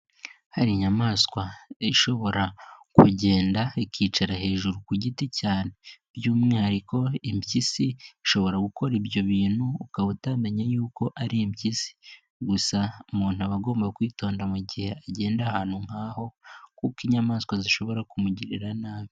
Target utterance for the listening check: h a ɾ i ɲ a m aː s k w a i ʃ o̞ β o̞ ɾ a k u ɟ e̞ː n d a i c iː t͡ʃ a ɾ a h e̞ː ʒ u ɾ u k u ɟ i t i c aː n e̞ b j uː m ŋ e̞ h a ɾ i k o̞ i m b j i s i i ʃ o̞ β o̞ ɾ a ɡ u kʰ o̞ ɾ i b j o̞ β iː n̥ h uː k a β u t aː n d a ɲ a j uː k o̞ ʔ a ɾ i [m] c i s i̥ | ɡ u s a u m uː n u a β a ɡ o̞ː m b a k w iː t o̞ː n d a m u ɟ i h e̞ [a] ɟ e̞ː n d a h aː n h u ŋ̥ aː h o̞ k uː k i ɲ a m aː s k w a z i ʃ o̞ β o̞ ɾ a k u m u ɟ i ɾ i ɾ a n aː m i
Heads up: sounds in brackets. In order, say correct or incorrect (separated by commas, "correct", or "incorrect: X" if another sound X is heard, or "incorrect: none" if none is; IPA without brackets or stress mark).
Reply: correct, correct